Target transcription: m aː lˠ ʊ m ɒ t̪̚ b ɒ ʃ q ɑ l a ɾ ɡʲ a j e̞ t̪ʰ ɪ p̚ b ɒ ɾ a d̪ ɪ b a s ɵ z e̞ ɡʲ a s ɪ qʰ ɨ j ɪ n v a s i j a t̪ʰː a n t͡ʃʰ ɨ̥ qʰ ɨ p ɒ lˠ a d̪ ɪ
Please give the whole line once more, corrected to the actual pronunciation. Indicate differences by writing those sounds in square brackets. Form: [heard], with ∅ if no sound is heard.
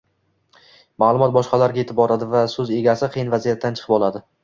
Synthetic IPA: m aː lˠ ʊ m ɒ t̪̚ b ɒ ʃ q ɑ l a ɾ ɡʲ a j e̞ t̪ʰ ɪ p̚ b ɒ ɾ a d̪ ɪ [v] a s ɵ z e̞ ɡʲ a s ɪ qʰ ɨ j ɪ n v a [z] i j a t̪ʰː a n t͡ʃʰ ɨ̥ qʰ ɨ p ɒ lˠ a d̪ ɪ